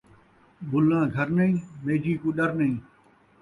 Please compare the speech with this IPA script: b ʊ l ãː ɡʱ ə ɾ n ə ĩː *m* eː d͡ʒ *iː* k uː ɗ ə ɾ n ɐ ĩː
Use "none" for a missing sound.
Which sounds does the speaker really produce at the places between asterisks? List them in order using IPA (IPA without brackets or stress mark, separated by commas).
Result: m, iː